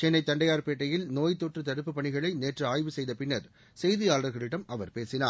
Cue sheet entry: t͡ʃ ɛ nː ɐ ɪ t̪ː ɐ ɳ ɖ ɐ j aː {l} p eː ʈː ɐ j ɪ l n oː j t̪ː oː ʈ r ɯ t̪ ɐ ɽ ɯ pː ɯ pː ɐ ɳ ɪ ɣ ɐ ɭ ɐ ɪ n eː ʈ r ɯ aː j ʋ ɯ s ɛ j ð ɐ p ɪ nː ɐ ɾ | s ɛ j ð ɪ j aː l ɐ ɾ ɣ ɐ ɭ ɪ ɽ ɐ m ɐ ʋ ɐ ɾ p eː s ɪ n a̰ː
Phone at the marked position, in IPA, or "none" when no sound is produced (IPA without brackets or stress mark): ɾ